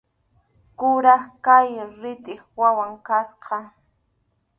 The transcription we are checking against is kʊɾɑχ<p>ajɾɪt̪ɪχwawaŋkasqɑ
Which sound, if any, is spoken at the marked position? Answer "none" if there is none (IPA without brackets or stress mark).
k